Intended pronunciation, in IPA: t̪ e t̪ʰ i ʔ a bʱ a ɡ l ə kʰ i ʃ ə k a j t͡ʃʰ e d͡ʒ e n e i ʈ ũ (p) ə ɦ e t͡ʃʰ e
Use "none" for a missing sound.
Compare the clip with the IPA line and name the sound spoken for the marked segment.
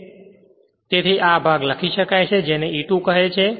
k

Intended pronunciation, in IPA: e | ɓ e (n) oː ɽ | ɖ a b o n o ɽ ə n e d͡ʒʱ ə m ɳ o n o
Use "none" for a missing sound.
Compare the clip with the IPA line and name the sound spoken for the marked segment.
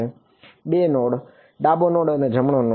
n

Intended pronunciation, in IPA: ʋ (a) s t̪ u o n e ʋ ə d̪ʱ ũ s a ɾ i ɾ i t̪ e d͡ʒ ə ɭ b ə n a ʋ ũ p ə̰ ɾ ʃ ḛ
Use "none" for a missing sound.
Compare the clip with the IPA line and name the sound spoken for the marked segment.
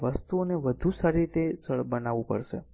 ə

